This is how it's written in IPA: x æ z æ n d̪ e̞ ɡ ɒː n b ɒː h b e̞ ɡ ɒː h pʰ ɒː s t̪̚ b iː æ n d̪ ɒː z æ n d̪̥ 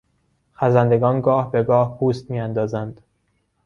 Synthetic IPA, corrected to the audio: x æ z æ n d̪ e̞ ɡ ɒː n ɡ ɒː h b e̞ ɡ ɒː h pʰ uː s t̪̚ m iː æ n d̪ ɒː z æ n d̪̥